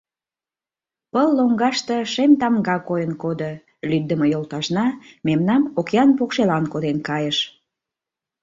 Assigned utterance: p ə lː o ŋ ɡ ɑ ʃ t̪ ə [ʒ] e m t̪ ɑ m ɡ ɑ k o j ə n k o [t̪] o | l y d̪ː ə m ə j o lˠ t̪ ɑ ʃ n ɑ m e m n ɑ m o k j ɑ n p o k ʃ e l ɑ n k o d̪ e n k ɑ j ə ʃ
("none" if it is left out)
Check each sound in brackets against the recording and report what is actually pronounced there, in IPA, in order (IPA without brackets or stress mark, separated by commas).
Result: ʃ, d̪